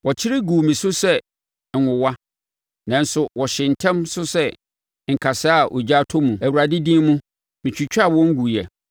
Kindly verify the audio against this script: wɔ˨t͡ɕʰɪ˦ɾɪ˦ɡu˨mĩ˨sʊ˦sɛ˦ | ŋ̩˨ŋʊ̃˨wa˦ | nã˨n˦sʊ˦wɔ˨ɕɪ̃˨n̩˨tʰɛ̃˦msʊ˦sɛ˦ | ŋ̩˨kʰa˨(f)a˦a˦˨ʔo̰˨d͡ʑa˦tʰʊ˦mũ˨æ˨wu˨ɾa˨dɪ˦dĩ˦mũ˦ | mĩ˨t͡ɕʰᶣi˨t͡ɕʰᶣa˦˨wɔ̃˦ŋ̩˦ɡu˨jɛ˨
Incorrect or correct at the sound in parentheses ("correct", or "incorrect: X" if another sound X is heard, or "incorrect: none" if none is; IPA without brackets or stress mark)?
incorrect: s